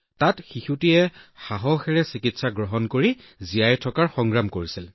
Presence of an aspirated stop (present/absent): present